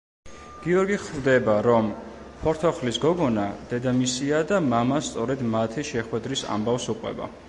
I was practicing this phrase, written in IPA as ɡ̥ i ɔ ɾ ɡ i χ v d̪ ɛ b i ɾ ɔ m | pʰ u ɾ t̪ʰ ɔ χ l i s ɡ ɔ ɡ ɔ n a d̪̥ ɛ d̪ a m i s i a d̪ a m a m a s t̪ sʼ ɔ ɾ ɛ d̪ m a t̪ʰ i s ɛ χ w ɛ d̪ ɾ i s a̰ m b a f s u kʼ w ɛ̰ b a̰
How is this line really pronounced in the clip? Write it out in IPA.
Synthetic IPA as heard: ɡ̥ i ɔ ɾ ɡ i χ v d̪ ɛ b a ɾ ɔ m | pʰ ɔ ɾ t̪ʰ ɔ χ l i s ɡ ɔ ɡ ɔ n a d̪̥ ɛ d̪ a m i s i a d̪ a m a m a s t̪ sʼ ɔ ɾ ɛ d̪ m a t̪ʰ i ʃ ɛ χ w ɛ d̪ ɾ i s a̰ m b a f s u qʼ w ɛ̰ b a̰